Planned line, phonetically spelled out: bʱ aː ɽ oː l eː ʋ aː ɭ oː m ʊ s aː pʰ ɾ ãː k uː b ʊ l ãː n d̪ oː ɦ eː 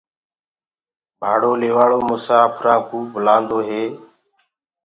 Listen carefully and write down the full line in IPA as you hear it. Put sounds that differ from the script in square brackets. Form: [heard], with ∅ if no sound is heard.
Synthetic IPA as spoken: bʱ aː ɽ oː l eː ʋ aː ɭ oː m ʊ s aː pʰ ɾ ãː k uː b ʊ l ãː n d̪ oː ɦ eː

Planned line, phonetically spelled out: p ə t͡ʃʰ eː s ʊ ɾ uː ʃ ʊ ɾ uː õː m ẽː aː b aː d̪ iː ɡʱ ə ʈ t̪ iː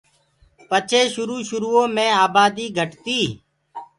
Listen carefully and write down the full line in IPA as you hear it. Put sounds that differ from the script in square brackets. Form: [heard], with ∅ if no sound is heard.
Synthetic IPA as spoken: p ə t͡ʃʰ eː [ʃ] ʊ ɾ uː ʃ ʊ ɾ uː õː m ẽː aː b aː d̪ iː ɡʱ ə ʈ t̪ iː

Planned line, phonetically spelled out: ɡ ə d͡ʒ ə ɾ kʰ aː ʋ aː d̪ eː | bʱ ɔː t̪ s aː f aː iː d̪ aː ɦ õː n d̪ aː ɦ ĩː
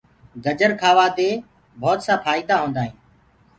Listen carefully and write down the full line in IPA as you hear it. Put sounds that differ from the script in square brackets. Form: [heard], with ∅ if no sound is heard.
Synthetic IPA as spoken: ɡ ə d͡ʒ ə ɾ kʰ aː ʋ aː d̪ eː | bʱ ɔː t̪ s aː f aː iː d̪ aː ɦ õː n d̪ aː ɦ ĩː

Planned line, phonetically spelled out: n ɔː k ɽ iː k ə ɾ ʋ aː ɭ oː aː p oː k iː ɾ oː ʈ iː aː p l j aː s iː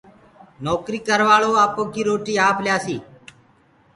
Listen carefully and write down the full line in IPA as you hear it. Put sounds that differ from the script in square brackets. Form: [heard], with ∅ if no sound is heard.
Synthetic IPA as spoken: n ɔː k [ɾ] iː k ə ɾ ʋ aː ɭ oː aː p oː k iː ɾ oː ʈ iː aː p l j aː s iː

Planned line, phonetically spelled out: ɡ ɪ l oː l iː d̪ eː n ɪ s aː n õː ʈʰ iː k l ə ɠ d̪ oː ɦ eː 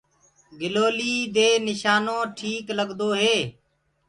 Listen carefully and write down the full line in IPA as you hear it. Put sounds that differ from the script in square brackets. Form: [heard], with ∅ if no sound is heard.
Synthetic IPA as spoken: ɡ ɪ l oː l iː d̪ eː n ɪ [ʃ] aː n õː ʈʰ iː k l ə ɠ d̪ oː ɦ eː

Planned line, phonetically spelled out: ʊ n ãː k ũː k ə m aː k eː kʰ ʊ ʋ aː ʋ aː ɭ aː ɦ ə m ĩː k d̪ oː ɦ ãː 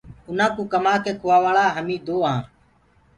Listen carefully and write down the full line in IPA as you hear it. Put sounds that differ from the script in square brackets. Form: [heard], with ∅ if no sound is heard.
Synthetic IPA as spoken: ʊ n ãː k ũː k ə m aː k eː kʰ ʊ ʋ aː ʋ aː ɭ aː ɦ ə m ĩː [∅] d̪ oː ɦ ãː

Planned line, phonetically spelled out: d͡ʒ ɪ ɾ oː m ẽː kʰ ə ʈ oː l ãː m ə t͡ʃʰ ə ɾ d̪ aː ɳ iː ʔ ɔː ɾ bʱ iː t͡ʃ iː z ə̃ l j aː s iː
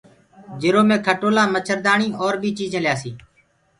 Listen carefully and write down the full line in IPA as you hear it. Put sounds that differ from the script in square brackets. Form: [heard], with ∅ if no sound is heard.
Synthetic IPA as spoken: d͡ʒ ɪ ɾ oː m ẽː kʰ ə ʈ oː l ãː m ə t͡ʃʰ ə ɾ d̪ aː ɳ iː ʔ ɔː ɾ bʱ iː t͡ʃ iː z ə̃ l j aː s iː

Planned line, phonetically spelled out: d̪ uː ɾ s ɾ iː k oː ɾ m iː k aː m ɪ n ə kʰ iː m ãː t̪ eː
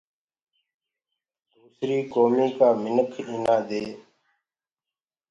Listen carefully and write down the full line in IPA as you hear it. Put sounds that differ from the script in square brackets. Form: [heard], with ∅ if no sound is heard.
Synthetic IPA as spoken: d̪ uː [∅] s ɾ iː k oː [∅] m iː k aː m ɪ n ə kʰ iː [n] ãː [d̪] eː

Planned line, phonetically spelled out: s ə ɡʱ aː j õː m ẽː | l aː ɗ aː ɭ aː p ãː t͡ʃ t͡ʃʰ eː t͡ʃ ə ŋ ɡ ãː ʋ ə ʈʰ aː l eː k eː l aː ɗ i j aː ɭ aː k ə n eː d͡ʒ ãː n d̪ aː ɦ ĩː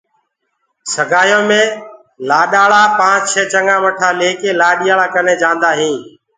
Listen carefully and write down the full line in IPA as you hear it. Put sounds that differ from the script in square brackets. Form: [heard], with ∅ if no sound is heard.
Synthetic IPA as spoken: s ə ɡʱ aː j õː m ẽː | l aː ɗ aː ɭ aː p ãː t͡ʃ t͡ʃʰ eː t͡ʃ ə ŋ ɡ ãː ʋ ə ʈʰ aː l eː k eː l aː ɗ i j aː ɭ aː k ə n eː d͡ʒ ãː n d̪ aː ɦ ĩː

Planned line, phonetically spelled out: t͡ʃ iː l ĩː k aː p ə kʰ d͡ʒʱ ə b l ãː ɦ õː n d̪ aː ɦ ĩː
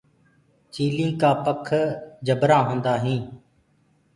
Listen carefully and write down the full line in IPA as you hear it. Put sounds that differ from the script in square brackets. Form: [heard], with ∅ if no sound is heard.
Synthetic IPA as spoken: t͡ʃ iː l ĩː k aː p ə kʰ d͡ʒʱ ə b [ɾ] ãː ɦ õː n d̪ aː ɦ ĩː

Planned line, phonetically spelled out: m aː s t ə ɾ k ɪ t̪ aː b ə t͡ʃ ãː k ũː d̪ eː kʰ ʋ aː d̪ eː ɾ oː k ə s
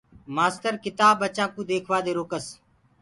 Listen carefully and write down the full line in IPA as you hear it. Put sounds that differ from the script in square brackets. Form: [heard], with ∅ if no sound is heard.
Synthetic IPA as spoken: m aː s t ə ɾ k ɪ t̪ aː b ə t͡ʃ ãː k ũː d̪ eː kʰ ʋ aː d̪ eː ɾ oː k ə s

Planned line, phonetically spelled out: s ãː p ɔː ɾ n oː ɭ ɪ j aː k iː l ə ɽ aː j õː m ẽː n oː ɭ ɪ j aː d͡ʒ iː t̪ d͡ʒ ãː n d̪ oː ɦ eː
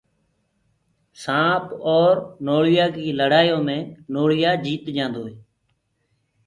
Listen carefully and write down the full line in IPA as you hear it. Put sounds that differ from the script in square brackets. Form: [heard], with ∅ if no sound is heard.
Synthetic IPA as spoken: s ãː p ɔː ɾ n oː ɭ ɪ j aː k iː l ə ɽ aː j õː m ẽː n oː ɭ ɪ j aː d͡ʒ iː t̪ d͡ʒ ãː n d̪ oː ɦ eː

